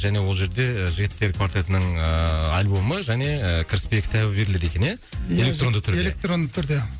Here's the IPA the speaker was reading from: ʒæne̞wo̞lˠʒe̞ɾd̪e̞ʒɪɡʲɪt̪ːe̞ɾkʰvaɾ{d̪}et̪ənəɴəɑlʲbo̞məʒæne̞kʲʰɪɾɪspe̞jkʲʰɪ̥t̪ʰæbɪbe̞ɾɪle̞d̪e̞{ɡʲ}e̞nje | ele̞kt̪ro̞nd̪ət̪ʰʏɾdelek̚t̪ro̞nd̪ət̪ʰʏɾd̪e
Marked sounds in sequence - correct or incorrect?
incorrect, incorrect

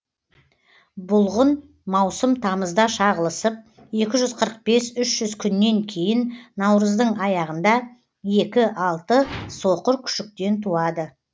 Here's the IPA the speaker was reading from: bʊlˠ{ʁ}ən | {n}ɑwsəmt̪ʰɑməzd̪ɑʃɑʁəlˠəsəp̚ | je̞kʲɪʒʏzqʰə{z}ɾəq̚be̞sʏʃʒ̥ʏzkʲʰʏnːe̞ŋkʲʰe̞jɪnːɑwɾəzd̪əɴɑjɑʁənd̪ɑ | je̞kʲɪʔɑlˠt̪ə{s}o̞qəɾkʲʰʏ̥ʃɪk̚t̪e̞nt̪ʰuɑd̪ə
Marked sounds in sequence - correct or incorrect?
correct, incorrect, incorrect, correct

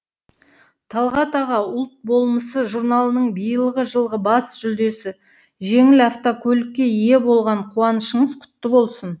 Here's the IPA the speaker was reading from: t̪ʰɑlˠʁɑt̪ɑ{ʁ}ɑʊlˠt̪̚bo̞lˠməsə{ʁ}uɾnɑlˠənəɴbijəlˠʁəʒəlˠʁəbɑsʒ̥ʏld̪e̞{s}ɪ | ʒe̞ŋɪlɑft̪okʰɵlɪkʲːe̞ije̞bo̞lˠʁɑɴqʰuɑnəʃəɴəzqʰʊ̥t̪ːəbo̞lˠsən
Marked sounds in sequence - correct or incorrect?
correct, incorrect, correct

